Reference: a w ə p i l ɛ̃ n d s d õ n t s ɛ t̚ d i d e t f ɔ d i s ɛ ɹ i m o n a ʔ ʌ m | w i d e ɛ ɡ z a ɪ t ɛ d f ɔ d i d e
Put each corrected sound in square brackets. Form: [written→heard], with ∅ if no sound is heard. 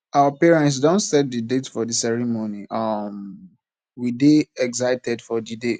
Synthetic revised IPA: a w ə p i [l→ɹ] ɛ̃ n [d→t] s d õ n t s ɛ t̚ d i d e t f ɔ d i s ɛ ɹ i m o n [a→i] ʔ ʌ m | w i d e ɛ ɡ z a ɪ t ɛ d f ɔ d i d e